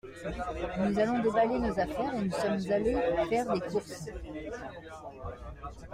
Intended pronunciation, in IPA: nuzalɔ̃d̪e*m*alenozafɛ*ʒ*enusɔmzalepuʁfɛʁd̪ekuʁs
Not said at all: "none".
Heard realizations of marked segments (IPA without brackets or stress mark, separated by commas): b, ʁ